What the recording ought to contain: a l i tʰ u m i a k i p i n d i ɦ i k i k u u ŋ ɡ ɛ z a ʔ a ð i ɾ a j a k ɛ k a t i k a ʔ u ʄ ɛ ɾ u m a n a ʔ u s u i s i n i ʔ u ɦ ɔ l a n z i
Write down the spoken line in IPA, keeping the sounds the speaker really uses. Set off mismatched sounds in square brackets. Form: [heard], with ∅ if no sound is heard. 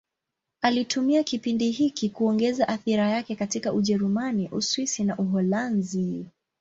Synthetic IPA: a l i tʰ u m i a k i p i n d i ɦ i k i k u [ɔ] ŋ ɡ ɛ z a ʔ a [θ] i ɾ a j a k ɛ k a t i k a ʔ u ʄ ɛ ɾ u m a n [i] ʔ u s [w] i s i n [a] ʔ u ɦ ɔ l a n z i